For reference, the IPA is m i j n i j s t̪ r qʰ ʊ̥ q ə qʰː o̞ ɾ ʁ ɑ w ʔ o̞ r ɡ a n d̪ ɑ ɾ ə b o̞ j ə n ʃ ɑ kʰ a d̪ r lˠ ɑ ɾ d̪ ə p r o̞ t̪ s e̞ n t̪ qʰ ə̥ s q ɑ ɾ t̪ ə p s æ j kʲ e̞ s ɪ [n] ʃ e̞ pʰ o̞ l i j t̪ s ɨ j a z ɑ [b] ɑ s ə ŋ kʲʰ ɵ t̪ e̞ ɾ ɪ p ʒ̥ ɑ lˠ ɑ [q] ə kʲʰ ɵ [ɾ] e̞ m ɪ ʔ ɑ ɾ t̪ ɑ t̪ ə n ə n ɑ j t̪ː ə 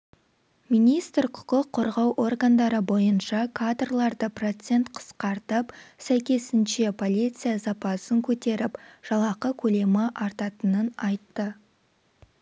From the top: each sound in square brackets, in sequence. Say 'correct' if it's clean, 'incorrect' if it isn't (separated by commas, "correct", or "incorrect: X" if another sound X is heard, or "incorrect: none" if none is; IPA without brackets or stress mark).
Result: correct, incorrect: p, correct, incorrect: l